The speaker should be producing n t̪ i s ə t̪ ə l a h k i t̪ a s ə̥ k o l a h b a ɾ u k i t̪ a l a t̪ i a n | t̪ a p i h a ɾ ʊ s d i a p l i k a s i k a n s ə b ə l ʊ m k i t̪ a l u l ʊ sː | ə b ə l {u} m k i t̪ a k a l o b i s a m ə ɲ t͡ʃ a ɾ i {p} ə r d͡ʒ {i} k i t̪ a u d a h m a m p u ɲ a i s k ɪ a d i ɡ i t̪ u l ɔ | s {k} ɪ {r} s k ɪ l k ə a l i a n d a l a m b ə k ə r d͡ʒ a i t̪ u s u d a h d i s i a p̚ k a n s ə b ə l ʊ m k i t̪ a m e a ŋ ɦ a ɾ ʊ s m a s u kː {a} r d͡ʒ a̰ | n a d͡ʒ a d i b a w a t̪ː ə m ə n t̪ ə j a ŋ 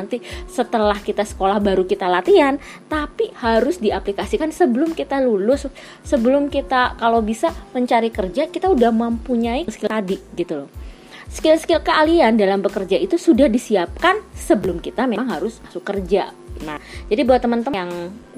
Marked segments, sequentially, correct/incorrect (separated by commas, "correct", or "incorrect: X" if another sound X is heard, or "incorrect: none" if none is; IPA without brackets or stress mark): incorrect: ʊ, incorrect: k, incorrect: a, correct, incorrect: l, incorrect: ə